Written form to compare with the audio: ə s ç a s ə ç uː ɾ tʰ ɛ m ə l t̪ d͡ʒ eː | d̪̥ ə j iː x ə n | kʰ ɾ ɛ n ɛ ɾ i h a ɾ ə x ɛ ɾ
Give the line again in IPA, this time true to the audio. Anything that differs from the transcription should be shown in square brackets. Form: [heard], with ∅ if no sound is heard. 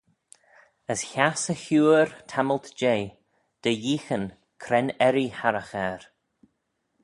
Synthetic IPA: ə s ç a s ə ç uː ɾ tʰ [a] m ə l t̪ d͡ʒ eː | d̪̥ ə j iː x ə n | kʰ ɾ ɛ n ɛ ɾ i h a ɾ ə x ɛ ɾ

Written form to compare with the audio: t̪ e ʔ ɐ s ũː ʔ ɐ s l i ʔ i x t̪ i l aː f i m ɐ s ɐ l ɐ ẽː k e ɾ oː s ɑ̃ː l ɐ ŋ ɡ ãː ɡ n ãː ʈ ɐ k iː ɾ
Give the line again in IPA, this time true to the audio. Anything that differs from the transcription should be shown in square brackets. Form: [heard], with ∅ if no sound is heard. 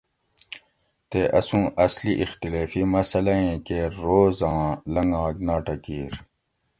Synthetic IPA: t̪ e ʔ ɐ s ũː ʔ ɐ s l i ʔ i x t̪ i l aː f i m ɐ s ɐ l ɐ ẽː k e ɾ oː [z] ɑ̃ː l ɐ ŋ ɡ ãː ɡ n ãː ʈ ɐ k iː ɾ

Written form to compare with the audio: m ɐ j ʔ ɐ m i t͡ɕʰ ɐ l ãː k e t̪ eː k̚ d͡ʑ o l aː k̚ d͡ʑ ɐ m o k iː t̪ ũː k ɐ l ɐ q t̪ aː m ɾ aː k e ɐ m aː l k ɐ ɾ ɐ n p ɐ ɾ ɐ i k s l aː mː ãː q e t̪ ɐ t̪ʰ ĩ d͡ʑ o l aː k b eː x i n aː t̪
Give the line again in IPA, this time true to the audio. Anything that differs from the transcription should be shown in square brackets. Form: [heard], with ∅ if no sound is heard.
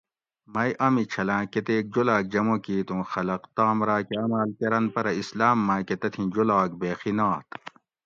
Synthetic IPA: m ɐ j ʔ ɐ m i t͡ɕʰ ɐ l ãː k e t̪ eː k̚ d͡ʑ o l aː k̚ d͡ʑ ɐ m o k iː t̪ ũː [x] ɐ l ɐ q t̪ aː m ɾ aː k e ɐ m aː l k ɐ ɾ ɐ n p ɐ ɾ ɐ i [∅] s l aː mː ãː [k] e t̪ ɐ t̪ʰ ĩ d͡ʑ o l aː k b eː x i n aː t̪

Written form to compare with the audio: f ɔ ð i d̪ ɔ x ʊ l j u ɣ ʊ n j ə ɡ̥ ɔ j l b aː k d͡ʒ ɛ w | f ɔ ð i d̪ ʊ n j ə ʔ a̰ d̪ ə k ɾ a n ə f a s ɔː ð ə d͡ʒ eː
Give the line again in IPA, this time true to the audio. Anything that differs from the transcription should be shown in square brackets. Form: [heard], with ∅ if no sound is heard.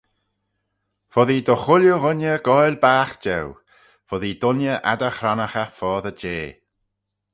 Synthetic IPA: f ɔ ð i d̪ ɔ x ʊ l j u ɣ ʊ n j ə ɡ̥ ɔ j l b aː [x] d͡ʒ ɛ w | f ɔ ð i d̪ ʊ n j ə ʔ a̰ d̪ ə [x] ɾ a n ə [x] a [f] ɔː ð ə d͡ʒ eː

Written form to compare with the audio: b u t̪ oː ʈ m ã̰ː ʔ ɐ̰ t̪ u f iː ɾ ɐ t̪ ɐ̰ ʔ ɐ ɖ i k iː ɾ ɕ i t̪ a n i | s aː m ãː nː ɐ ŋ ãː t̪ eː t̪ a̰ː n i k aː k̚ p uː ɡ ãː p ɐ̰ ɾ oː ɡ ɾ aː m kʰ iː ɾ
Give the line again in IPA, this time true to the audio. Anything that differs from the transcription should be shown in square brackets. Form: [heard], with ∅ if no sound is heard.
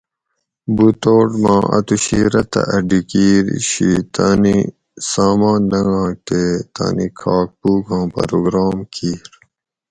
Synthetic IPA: b u t̪ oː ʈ m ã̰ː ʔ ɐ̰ t̪ u [ɕ] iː ɾ ɐ t̪ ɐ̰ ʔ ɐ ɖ i k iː ɾ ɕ i t̪ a n i | s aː m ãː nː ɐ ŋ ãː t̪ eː t̪ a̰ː n i [kʰ] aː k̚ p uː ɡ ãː p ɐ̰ ɾ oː ɡ ɾ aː m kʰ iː ɾ

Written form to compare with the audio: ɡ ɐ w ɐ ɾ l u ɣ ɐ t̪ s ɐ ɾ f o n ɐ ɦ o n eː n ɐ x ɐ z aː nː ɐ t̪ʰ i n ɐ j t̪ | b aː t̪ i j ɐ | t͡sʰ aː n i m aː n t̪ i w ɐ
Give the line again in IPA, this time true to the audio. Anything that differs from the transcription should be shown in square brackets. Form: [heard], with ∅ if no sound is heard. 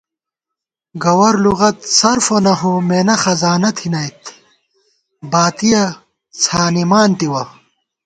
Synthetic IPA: ɡ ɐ w ɐ ɾ l u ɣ ɐ t̪ s ɐ ɾ f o n ɐ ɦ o [m] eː n ɐ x ɐ z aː [n] ɐ t̪ʰ i n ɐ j t̪ | b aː t̪ i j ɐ | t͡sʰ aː n i m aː n t̪ i w ɐ

